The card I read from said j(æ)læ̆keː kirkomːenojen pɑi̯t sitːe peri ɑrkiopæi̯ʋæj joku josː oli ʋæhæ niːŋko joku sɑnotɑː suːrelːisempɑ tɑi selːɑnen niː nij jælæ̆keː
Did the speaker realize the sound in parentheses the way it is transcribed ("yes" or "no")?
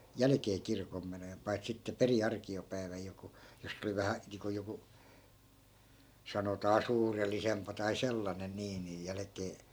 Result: yes